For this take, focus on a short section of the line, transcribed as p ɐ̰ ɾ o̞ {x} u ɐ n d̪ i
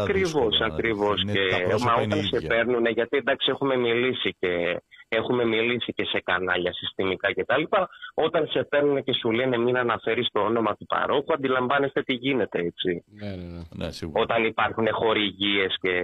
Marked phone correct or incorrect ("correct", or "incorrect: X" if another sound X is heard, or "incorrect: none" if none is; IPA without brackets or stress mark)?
correct